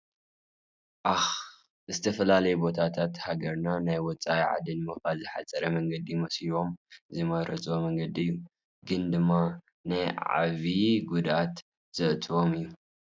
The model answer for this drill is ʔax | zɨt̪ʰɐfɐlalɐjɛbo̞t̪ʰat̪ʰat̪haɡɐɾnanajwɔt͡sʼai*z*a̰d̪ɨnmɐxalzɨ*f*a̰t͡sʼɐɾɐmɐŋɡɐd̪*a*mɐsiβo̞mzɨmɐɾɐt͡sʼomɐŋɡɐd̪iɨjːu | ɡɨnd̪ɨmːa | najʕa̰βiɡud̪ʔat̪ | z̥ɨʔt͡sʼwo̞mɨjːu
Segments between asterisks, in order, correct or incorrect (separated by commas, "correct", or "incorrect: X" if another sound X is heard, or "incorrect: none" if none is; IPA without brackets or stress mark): incorrect: ʕ, incorrect: ħ, incorrect: i